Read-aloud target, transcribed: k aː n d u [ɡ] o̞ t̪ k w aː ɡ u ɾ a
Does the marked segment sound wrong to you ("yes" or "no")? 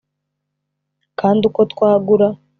yes